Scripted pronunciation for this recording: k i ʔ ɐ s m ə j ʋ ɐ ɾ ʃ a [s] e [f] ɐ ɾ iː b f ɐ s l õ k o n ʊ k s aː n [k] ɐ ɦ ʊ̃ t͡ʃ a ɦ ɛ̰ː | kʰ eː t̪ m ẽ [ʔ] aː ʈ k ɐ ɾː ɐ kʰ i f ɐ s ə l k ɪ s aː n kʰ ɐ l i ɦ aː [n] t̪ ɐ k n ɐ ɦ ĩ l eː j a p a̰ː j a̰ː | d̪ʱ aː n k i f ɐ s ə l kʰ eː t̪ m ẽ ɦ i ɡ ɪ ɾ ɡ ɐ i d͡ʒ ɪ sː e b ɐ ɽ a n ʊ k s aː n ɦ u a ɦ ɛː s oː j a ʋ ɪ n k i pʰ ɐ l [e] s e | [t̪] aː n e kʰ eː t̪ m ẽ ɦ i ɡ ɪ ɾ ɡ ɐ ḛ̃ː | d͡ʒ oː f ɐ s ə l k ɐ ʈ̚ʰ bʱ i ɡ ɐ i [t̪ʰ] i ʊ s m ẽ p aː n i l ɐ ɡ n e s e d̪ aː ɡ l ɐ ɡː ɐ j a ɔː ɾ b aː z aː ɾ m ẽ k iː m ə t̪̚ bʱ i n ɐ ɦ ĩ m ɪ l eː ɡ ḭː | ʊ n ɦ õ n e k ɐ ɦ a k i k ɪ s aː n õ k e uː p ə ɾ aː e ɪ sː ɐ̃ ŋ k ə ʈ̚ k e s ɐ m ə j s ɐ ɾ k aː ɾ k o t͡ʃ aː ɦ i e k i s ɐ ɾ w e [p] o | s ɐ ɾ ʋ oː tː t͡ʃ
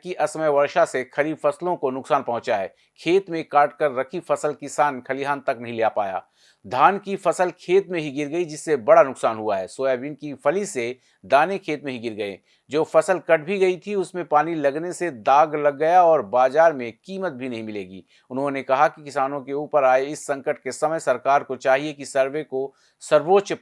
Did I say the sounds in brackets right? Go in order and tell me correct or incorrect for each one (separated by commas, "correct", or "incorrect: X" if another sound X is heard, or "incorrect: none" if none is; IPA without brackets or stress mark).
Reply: correct, incorrect: x, incorrect: p, incorrect: k, correct, incorrect: i, incorrect: d̪, correct, incorrect: k